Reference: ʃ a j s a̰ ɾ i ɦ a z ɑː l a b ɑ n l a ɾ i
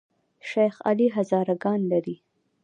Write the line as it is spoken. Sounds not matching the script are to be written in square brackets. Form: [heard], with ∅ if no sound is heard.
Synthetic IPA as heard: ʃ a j [x] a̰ [l] i ɦ a z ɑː [ɾ] a [ɡ] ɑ n l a ɾ i